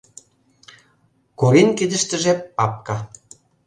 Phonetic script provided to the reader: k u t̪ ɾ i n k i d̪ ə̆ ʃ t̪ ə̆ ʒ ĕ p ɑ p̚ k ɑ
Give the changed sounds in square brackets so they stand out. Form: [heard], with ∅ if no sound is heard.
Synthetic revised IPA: k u [∅] ɾ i n k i d̪ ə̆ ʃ t̪ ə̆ ʒ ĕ p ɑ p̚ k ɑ